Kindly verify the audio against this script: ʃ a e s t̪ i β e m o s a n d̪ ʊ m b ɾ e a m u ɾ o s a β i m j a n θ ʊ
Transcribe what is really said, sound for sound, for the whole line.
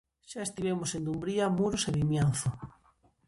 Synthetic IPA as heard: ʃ a e s t̪ i β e m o s e n d̪ u m b ɾ i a m u ɾ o s e β i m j a n θ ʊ